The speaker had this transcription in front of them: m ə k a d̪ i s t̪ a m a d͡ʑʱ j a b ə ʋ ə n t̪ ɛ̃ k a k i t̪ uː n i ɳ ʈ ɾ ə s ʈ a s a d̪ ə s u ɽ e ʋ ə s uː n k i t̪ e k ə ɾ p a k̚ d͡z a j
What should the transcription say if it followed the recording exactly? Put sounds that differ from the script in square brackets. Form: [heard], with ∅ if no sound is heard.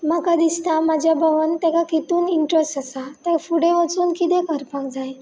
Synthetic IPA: m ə k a d̪ i s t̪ a m a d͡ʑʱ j a b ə ʋ ə n t̪ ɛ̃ k a k i t̪ uː n i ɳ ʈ ɾ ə s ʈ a s a [t̪] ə [f] u ɽ e ʋ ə [t͡s] uː n k i t̪ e k ə ɾ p a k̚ d͡z a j